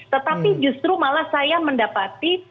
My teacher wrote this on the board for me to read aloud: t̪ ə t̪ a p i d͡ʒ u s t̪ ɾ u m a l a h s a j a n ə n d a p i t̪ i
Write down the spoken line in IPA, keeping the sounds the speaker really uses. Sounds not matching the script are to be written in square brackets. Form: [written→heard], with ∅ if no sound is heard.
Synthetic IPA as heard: t̪ ə t̪ a p i d͡ʒ u s t̪ ɾ u m a l a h s a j a [n→m] ə n d a p [i→a] t̪ i